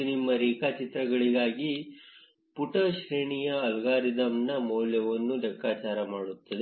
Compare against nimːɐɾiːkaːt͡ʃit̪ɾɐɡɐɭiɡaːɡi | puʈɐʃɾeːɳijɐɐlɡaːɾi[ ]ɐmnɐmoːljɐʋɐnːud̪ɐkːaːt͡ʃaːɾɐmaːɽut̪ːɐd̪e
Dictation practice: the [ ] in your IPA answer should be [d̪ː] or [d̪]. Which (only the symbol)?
d̪